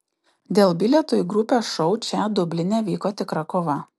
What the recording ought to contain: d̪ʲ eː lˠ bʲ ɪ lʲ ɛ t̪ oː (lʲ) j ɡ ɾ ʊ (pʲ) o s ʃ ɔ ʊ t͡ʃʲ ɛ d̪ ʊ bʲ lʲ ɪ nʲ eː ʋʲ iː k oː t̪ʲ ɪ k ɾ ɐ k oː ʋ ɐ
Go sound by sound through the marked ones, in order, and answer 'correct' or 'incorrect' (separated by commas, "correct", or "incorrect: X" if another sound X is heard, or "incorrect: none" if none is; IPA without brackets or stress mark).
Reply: incorrect: none, correct